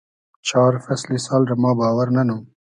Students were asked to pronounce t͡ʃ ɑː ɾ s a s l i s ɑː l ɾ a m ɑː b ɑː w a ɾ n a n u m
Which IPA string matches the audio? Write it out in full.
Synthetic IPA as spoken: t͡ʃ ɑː ɾ f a s l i s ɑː l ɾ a m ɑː b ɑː w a ɾ n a n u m

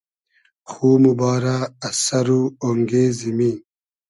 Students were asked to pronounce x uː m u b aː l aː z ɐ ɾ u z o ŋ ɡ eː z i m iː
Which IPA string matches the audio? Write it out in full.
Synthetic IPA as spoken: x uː m u b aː ɾ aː s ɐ ɾ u o ŋ ɡ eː z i m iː

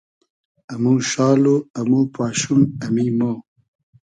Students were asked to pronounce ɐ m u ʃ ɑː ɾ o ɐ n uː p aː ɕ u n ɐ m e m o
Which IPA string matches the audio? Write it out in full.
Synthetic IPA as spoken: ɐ m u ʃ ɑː l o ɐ m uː p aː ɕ u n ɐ m i m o

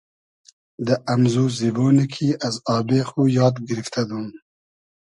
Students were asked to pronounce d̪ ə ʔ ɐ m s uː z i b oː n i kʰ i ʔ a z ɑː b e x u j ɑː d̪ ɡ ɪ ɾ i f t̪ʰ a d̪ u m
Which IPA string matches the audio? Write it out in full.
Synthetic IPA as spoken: d̪ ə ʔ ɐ m z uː z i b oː n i kʰ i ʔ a z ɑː b e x u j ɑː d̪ ɡ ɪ ɾ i f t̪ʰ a d̪ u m

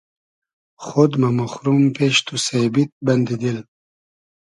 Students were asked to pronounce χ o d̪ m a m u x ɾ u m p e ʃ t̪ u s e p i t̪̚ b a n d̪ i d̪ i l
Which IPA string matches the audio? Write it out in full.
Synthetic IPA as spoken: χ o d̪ m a m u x ɾ u m p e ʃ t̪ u s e b i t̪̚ b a n d̪ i d̪ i l

